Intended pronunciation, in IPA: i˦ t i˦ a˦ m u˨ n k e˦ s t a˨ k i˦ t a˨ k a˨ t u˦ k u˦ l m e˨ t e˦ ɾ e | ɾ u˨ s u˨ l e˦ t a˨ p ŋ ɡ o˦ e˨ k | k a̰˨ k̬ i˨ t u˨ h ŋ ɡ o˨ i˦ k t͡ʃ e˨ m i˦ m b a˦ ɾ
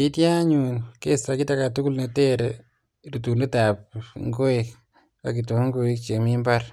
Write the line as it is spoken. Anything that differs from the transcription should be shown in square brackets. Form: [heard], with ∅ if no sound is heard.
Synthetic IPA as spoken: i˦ t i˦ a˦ [ɲ] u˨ n k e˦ s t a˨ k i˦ t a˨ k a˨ t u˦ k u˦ l [n] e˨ t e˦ ɾ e | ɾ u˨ [t] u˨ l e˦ t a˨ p ŋ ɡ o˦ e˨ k | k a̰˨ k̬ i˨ t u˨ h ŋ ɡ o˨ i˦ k t͡ʃ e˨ m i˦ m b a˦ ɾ